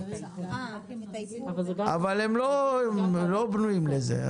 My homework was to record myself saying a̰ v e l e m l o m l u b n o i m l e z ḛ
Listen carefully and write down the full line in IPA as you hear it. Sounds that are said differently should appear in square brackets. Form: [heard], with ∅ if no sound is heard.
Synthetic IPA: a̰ v [a] l e m l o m l [o] b n [u] i m l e z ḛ